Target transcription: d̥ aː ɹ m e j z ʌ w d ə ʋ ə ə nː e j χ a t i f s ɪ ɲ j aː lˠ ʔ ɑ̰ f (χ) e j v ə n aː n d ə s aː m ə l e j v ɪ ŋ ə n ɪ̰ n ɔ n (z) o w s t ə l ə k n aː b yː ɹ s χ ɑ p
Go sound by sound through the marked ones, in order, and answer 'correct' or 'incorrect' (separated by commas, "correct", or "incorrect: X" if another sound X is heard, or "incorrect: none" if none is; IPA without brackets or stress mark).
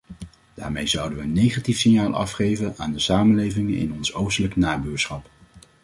correct, incorrect: s